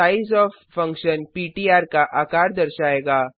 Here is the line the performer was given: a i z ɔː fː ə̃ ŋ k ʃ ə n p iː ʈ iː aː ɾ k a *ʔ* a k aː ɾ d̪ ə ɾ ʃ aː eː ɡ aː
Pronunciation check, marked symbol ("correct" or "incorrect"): correct